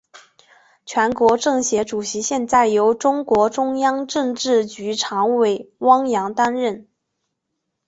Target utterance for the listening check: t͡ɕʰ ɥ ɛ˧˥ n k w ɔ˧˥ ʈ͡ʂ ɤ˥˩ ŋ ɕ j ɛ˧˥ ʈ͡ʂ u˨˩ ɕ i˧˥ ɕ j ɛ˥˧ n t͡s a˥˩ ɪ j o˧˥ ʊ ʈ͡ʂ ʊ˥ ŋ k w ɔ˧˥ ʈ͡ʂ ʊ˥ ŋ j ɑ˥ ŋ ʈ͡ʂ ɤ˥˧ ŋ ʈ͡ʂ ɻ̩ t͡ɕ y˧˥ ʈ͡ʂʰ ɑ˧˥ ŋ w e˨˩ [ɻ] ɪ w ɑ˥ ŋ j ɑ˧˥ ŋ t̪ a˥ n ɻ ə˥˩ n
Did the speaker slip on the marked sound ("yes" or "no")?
yes